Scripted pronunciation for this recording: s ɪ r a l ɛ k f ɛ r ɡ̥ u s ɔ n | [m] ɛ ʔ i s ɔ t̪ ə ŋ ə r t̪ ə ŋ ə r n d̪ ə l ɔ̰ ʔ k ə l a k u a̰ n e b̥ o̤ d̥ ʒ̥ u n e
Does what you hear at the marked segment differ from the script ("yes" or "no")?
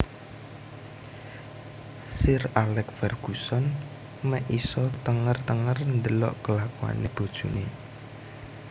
no